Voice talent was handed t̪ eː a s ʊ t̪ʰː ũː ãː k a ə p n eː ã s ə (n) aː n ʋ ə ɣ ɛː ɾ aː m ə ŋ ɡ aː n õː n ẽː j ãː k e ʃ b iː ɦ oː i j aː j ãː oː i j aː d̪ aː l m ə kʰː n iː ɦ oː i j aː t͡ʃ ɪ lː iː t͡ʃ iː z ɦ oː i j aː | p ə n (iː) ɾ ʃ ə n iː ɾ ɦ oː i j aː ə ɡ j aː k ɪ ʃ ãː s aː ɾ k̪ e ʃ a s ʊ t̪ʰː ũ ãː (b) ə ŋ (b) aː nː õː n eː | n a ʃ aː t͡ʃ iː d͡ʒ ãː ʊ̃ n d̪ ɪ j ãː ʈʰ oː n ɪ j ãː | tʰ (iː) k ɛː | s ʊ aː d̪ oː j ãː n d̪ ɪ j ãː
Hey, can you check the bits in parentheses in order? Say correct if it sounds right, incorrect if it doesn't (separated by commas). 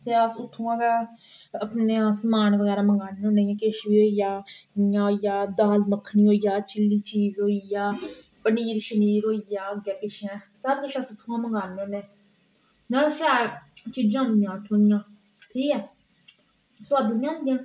incorrect, correct, incorrect, incorrect, correct